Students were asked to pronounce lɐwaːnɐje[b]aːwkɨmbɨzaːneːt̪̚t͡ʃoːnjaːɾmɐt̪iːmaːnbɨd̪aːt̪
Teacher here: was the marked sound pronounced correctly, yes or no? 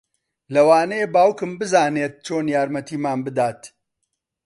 yes